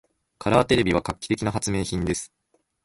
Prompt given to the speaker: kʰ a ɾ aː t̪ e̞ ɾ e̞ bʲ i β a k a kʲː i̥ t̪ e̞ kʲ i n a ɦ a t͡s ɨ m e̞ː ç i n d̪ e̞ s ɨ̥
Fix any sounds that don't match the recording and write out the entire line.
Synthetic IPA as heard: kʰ a ɾ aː t̪ e̞ ɾ e̞ bʲ i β a k a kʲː i̥ t̪ e̞ kʲ i n a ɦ a t͡s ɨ m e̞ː ç ĩ n d̪ e̞ s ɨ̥